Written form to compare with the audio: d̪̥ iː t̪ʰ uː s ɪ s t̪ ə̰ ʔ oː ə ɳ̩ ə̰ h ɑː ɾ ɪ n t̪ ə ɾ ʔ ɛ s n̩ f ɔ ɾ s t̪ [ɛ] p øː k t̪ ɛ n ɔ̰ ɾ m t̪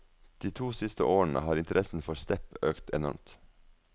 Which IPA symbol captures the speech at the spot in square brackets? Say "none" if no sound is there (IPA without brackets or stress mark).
ɛ